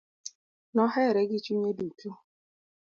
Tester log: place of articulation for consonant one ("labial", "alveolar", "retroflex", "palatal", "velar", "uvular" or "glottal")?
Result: alveolar